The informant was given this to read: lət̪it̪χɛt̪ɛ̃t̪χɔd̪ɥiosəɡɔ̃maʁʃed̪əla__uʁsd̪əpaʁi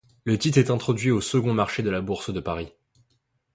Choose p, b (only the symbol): b